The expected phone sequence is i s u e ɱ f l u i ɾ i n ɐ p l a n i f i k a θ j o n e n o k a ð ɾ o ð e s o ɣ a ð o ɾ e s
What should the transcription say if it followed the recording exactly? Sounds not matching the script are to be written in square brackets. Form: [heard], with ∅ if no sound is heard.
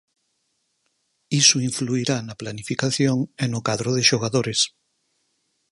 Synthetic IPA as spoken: i s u [i] ɱ f l u i ɾ [a] n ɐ p l a n i f i k a θ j o [ŋ] e n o k a ð ɾ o ð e [ʃ] o ɣ a ð o ɾ e s